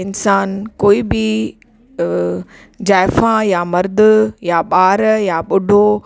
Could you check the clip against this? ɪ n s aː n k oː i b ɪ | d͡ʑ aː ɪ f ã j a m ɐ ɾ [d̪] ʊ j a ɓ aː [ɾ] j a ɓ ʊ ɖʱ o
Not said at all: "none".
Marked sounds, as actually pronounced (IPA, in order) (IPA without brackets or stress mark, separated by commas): d̪, ɾ